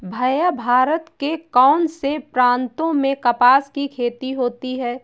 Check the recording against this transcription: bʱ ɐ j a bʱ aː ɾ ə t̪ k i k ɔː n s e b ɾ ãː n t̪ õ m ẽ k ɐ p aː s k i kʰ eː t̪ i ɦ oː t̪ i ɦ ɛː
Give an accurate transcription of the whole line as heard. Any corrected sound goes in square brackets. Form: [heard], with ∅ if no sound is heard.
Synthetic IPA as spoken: bʱ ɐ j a bʱ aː ɾ ə t̪ k [e] k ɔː n s e [p] ɾ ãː n t̪ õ m ẽ k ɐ p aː s k i kʰ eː t̪ i ɦ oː t̪ i ɦ ɛː